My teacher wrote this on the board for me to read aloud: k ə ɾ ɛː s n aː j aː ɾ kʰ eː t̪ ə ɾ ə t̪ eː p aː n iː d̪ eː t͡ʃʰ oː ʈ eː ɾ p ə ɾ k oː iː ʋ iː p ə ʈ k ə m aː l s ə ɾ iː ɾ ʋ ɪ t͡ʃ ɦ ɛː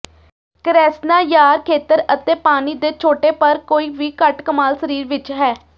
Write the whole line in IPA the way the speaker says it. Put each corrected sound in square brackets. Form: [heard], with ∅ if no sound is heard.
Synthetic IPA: k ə ɾ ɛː s n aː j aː ɾ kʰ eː t̪ ə ɾ ə t̪ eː p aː n iː d̪ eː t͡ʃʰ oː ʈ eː [∅] p ə ɾ k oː iː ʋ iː [k] ə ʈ k ə m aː l s ə ɾ iː ɾ ʋ ɪ t͡ʃ ɦ ɛː